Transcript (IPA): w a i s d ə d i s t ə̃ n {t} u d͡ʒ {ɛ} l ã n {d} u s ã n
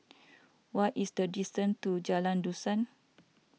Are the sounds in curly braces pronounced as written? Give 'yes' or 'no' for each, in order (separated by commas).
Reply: yes, no, yes